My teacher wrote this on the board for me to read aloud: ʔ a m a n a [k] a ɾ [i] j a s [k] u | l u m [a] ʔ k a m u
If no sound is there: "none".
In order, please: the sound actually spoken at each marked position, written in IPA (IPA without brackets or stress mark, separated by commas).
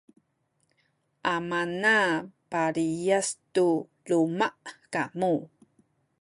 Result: p, i, t, a